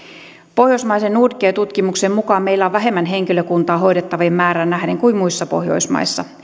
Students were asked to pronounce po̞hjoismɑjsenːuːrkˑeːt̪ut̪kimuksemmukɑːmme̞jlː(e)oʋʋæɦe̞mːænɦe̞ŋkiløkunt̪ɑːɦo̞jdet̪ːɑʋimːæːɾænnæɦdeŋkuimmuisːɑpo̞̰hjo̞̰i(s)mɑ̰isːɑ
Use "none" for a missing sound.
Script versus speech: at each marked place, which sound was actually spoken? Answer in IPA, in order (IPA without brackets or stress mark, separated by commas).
æ, s